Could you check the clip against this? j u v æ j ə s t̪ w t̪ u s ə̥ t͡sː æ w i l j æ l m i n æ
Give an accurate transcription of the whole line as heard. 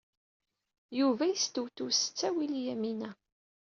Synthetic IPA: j u v æ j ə s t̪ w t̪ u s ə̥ t͡sː æ w i l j æ m i n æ